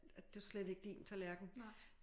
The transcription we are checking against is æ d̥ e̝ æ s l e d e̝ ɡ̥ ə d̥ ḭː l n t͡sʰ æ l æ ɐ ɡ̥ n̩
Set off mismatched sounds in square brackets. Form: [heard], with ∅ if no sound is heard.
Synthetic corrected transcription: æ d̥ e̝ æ s l e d e̝ ɡ̥ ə d̥ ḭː [∅] n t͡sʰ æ l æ ɐ ɡ̥ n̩